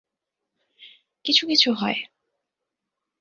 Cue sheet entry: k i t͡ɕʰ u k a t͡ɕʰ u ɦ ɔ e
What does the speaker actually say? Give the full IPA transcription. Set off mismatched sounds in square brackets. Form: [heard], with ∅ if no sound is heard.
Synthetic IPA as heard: k i t͡ɕʰ u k [i] t͡ɕʰ u ɦ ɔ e